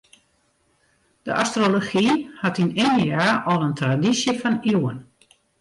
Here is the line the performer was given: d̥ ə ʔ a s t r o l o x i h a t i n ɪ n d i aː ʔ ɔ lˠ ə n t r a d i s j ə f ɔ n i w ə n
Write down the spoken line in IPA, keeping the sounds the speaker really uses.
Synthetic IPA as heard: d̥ ə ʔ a s t r o l o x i h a t i n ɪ n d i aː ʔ ɔ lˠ ə n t r a d i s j ə f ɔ n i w ə n